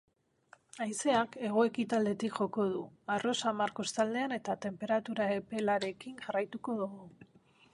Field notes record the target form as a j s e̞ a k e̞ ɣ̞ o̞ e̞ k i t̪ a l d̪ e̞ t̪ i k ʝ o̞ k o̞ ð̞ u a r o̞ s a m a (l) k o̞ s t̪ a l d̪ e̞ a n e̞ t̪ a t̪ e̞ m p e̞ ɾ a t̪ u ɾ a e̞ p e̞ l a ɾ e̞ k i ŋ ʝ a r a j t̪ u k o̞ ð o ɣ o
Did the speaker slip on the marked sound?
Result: yes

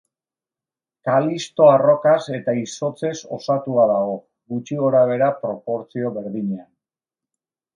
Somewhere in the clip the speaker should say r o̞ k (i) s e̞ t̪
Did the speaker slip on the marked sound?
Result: yes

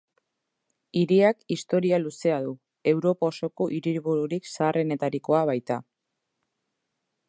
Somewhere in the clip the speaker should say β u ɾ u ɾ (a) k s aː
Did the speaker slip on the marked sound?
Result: yes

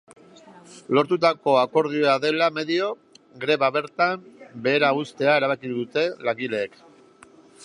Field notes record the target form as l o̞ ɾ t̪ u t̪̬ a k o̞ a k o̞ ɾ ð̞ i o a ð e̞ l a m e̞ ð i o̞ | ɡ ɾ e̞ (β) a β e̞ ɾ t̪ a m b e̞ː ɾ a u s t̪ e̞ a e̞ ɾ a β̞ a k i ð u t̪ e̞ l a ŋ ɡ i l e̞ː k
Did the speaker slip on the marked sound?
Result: no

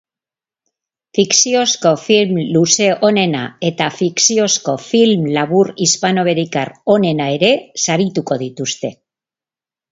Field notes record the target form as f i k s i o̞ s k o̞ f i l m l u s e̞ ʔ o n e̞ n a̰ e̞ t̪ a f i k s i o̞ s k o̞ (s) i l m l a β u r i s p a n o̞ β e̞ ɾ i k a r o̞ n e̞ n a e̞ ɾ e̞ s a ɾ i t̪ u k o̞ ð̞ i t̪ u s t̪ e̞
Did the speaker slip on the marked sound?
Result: yes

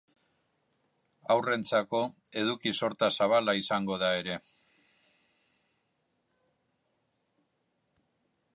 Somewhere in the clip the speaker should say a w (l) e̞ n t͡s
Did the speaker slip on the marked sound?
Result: yes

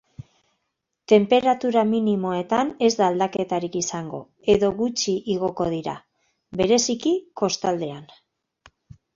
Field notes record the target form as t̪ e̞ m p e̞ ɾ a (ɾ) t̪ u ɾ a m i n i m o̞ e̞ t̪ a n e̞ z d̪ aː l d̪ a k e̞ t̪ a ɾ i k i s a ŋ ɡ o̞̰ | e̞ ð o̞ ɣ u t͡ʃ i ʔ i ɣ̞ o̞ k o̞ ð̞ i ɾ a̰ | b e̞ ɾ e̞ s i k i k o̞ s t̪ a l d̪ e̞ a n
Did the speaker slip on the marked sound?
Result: yes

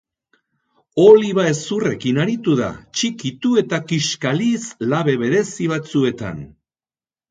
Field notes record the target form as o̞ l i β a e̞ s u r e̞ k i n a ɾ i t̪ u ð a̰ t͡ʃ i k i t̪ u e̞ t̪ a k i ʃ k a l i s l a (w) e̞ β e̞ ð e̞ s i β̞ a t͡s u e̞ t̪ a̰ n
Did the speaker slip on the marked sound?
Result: yes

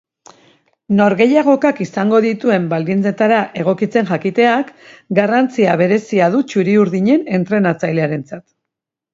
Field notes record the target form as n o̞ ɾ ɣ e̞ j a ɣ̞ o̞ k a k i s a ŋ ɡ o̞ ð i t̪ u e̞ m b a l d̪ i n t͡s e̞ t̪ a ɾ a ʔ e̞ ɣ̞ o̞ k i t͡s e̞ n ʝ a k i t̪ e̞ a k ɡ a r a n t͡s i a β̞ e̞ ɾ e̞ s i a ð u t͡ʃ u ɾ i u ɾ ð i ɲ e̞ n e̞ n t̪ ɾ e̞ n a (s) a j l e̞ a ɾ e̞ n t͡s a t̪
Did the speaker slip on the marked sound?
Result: yes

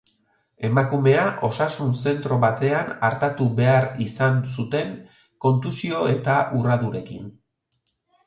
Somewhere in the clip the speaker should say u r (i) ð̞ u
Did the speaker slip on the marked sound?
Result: yes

